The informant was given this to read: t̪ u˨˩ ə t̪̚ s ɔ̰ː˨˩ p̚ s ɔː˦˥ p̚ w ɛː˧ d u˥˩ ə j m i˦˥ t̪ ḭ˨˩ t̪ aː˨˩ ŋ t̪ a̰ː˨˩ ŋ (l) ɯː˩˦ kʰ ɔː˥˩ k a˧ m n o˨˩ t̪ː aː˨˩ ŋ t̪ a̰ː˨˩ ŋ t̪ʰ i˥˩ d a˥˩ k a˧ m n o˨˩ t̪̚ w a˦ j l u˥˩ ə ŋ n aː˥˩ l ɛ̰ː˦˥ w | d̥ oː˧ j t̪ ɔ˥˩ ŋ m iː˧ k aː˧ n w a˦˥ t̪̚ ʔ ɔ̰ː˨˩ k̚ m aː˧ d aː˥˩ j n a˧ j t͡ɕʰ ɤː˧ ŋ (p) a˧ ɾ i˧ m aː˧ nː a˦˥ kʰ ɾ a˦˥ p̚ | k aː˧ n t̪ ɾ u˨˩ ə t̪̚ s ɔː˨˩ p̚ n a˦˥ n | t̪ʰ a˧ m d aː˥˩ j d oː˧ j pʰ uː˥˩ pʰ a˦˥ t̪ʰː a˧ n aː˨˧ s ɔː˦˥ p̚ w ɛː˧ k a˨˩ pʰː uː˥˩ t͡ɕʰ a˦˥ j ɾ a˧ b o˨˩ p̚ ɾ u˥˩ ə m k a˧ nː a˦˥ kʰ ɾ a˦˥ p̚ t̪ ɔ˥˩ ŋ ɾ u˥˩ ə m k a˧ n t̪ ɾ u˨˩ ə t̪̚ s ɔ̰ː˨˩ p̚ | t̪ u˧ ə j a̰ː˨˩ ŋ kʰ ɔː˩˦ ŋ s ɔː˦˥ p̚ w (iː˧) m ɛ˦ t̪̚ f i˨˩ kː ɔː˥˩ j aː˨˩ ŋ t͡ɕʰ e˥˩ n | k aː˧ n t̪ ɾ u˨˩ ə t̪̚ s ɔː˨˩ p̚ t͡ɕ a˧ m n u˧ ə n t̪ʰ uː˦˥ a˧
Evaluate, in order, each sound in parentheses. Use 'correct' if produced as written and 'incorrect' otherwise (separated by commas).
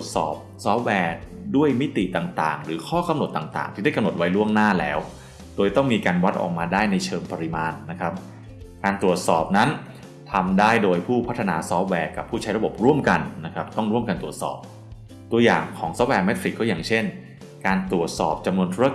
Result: incorrect, correct, incorrect